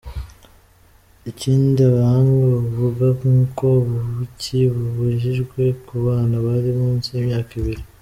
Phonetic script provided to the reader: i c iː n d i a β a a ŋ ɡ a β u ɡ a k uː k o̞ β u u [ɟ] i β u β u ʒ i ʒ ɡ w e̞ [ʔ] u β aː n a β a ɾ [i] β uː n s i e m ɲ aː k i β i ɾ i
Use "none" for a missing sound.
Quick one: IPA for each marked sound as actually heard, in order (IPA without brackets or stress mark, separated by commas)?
c, k, i